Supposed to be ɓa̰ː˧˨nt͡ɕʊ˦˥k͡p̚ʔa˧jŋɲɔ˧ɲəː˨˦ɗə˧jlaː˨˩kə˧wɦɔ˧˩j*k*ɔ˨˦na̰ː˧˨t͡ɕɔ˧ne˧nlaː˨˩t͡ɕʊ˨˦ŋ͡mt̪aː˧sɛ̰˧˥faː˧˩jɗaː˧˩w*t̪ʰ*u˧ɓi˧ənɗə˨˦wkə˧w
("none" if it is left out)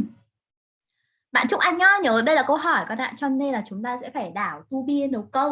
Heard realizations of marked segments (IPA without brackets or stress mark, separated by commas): k, t̪